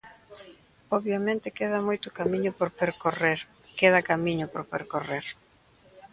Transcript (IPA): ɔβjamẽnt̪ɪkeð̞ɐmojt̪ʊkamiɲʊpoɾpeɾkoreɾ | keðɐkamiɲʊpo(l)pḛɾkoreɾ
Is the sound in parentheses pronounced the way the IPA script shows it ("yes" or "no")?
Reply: no